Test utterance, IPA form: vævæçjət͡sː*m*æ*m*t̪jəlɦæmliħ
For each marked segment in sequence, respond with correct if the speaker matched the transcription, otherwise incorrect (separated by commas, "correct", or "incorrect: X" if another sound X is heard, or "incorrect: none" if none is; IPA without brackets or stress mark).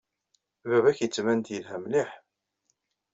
correct, incorrect: n